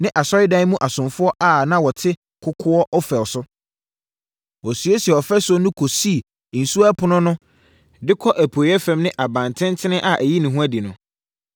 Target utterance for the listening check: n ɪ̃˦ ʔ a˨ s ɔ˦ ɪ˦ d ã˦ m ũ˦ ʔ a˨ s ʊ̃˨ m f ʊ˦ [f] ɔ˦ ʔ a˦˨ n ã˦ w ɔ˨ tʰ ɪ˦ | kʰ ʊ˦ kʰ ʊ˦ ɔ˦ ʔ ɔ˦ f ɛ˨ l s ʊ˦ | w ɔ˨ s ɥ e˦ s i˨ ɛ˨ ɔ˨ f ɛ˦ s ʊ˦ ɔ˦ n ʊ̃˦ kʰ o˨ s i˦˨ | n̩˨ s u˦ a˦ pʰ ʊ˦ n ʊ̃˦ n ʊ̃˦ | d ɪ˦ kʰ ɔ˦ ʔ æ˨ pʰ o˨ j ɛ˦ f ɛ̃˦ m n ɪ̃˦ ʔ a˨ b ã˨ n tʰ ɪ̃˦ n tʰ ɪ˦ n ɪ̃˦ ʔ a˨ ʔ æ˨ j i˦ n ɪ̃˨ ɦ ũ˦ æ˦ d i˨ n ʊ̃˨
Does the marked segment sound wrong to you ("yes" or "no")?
yes